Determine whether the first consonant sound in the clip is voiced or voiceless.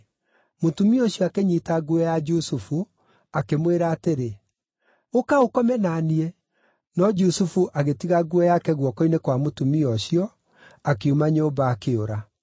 voiced